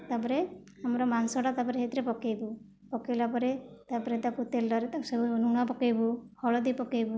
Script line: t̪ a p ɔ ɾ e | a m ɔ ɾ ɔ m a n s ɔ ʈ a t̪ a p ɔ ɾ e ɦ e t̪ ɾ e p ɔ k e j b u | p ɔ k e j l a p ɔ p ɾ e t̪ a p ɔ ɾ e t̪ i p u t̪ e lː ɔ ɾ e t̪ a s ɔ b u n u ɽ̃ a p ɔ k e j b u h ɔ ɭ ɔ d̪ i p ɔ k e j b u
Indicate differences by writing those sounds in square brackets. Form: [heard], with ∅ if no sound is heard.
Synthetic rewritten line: t̪ a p ɔ ɾ e | a m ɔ ɾ ɔ m a n s ɔ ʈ a t̪ a p ɔ ɾ e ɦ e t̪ ɾ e p ɔ k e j b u | p ɔ k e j l a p ɔ [∅] ɾ e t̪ a p ɔ ɾ e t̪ [a] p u t̪ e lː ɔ ɾ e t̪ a s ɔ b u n u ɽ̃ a p ɔ k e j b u h ɔ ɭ ɔ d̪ i p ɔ k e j b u